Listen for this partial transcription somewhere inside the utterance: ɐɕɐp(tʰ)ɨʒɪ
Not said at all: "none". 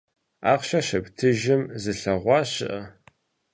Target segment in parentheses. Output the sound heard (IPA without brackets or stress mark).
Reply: tʰ